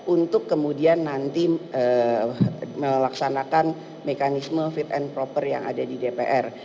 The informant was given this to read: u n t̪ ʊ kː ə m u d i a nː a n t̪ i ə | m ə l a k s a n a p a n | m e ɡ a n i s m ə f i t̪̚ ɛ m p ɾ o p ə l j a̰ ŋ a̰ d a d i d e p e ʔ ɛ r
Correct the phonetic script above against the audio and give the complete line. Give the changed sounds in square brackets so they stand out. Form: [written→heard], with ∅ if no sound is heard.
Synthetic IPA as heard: u n t̪ ʊ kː ə m u d i a nː a n t̪ i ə | m ə l a k s a n a [p→k] a n | m e [ɡ→k] a n i s m ə f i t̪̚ ɛ [m→n] p ɾ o p ə [l→r] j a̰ ŋ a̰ d a d i d e p e ʔ ɛ r